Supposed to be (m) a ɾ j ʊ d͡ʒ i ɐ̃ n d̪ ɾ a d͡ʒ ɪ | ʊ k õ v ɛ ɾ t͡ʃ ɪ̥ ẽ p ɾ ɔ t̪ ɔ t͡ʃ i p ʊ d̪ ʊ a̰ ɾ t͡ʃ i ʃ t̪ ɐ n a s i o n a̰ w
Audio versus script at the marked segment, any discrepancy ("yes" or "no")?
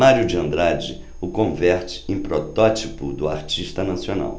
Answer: no